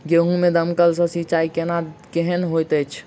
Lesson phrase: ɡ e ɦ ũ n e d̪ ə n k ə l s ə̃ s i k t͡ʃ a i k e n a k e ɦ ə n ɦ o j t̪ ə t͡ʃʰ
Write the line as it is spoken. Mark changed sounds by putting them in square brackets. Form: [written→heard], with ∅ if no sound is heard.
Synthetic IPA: ɡ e ɦ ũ [n→m] e d̪ ə [n→m] k ə l s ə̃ s i [k→∅] t͡ʃ a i k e n a k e ɦ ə n ɦ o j t̪ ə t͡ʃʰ